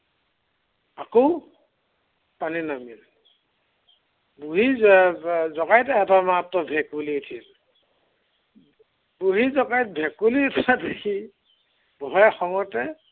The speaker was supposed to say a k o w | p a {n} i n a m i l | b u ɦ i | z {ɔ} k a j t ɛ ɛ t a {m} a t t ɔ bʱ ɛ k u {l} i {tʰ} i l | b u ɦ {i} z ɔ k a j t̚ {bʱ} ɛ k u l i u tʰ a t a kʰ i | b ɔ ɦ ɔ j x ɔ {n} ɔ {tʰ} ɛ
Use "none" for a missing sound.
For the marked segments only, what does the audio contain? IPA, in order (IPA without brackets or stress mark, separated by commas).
n, ɔ, m, l, tʰ, i, bʱ, ŋ, t